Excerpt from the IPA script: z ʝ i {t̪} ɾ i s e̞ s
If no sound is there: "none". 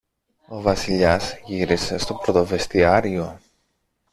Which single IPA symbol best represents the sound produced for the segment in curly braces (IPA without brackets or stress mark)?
none